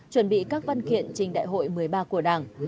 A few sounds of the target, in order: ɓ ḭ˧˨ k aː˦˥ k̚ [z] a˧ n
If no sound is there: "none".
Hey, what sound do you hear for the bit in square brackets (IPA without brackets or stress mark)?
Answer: v